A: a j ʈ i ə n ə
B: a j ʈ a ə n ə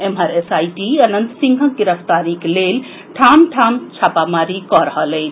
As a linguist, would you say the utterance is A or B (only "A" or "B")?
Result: A